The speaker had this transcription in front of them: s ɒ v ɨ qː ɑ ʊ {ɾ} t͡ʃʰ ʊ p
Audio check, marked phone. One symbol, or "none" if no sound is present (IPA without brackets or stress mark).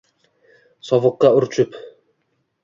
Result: ɾ